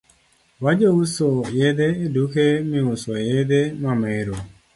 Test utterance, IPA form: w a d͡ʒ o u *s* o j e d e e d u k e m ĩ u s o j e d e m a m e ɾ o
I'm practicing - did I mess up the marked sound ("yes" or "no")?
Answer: no